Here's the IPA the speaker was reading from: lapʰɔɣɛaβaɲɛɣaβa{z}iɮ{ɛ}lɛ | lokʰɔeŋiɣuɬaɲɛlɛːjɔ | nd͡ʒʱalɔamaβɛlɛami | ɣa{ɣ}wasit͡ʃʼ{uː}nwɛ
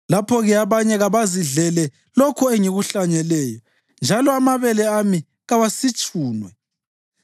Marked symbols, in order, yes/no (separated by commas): yes, yes, no, yes